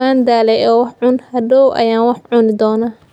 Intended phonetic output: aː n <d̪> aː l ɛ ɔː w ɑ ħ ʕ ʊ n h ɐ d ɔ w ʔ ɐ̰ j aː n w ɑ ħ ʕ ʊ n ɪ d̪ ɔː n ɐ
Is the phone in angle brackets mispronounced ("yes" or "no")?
no